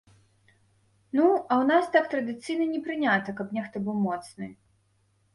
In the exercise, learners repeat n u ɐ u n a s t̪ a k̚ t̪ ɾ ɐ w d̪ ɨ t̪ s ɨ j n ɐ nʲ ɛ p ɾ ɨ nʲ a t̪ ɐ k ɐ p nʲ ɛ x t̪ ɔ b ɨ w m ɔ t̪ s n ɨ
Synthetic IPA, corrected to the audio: n u ɐ w n a s t̪ a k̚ t̪ ɾ ɐ d̪ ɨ t̪ s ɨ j n ɐ nʲ ɛ p ɾ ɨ nʲ a t̪ ɐ k ɐ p nʲ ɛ x t̪ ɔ b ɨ w m ɔ t̪ s n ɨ